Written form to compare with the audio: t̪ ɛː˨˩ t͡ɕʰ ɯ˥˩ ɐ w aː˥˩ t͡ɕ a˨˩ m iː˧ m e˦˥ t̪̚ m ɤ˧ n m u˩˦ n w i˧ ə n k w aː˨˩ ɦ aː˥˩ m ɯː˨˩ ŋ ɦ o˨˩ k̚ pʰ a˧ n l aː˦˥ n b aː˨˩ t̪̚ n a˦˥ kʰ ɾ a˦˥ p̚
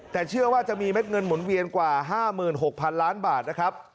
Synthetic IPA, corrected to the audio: t̪ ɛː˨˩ t͡ɕʰ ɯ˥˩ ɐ w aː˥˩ t͡ɕ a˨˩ m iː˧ m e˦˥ t̪̚ ŋ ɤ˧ n m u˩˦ n w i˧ ə n k w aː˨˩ ɦ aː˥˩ m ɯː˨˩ n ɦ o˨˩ k̚ pʰ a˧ n l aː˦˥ n b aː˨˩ t̪̚ n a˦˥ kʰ ɾ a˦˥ p̚